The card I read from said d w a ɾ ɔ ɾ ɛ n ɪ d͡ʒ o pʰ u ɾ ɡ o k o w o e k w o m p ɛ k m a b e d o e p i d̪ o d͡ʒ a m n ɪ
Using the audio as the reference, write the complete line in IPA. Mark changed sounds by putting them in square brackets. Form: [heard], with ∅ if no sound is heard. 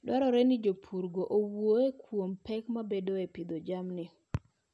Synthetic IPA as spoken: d w a ɾ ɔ ɾ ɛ n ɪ d͡ʒ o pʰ u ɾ ɡ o [ʔ] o w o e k w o m p ɛ k m a b e d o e p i d̪ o d͡ʒ a m n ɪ